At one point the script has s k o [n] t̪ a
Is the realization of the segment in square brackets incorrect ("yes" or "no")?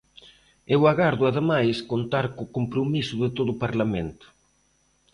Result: no